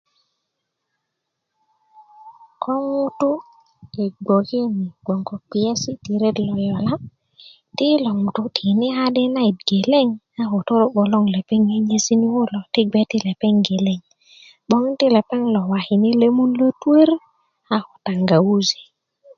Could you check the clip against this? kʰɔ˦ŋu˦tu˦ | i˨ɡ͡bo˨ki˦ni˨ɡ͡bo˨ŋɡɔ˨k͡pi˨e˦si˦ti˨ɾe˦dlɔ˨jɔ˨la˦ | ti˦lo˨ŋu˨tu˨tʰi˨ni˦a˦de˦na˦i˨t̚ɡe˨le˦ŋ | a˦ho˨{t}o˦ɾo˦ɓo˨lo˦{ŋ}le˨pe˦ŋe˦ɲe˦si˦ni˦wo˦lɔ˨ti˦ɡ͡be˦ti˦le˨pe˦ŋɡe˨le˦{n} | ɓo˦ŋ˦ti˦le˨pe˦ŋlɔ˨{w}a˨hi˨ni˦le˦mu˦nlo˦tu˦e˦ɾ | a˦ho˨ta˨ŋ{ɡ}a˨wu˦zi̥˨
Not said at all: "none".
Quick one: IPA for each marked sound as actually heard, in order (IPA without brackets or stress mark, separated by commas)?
t, ŋ, ŋ, w, ɡ